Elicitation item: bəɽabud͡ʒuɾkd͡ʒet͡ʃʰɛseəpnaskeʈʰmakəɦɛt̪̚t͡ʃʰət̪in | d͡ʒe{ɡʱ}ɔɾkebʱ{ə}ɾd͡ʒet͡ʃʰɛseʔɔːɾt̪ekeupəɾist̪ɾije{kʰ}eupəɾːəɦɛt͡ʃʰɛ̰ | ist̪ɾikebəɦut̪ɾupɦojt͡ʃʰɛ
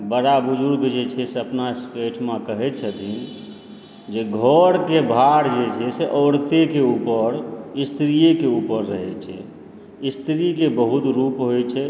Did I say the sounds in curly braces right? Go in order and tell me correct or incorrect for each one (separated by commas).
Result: correct, incorrect, incorrect